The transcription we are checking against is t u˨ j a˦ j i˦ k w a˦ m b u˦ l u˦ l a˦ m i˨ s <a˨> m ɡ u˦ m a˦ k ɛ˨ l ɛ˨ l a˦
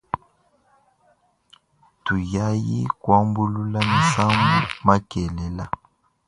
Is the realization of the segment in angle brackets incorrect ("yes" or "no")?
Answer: yes